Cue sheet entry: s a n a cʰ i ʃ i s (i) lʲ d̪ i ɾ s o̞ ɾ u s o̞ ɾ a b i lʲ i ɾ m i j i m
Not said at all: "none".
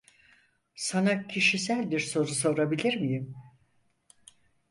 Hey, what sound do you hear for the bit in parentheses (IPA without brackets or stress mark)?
æ